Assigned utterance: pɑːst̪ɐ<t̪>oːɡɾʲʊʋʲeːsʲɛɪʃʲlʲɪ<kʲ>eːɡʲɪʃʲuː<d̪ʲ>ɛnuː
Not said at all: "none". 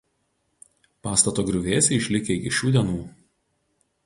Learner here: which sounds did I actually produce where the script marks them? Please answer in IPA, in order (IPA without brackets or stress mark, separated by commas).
t̪, kʲ, d̪ʲ